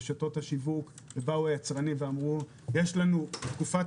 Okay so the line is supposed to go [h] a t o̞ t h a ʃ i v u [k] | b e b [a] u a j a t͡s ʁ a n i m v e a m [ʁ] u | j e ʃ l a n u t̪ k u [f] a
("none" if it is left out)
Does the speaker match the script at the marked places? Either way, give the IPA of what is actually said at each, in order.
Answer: ʃ, k, a, ʁ, f

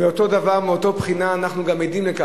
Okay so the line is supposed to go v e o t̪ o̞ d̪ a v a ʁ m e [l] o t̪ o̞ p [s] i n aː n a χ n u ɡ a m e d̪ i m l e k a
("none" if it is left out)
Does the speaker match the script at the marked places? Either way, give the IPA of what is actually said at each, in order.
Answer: none, χ

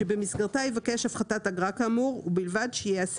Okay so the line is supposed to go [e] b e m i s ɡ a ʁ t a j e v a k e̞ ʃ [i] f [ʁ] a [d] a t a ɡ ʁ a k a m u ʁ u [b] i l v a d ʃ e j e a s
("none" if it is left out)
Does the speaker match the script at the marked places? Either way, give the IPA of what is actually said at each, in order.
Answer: e, a, χ, t, b

